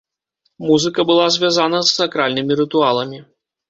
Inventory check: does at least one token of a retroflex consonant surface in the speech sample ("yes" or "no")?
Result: no